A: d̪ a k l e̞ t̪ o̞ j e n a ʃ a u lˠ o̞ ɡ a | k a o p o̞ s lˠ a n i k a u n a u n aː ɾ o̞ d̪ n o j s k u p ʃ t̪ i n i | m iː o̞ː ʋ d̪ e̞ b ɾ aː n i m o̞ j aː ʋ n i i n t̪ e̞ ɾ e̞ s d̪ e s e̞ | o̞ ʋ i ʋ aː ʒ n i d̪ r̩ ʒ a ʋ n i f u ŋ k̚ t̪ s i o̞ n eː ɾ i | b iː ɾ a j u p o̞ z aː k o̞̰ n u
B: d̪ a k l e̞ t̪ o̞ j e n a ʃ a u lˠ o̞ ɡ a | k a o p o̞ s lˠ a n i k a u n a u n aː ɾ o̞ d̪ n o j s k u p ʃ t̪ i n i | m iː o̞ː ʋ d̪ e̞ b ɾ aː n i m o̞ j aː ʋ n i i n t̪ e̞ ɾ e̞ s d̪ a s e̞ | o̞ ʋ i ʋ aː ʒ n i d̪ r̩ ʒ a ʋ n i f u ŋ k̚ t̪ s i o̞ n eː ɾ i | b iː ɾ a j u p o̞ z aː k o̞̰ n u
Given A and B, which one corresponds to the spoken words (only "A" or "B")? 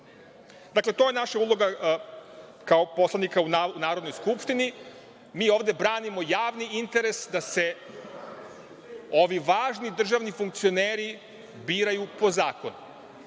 B